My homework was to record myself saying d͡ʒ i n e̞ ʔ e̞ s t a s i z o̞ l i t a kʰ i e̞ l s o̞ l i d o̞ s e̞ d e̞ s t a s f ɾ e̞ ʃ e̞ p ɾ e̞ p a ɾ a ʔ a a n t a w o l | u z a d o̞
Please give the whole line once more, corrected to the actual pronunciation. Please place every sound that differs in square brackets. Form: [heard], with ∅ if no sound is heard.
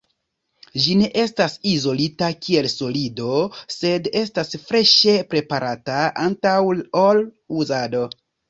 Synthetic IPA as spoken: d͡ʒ i n e̞ ʔ e̞ s t a s i z o̞ l i t a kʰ i e̞ l s o̞ l i d o̞ s e̞ d e̞ s t a s f ɾ e̞ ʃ e̞ p ɾ e̞ p a ɾ a [t] a a n t a w o l | u z a d o̞